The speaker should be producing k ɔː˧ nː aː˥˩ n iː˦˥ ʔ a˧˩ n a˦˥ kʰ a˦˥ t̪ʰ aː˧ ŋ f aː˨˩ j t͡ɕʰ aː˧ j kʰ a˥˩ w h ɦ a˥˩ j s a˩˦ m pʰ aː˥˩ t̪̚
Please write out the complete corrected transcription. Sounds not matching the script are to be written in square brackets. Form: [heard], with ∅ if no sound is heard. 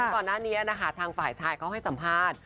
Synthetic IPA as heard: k [ɔː˨˩] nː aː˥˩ n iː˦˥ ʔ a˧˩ n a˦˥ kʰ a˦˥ t̪ʰ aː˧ ŋ f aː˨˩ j t͡ɕʰ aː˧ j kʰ [a˦˥] w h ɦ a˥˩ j s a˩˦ m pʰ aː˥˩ t̪̚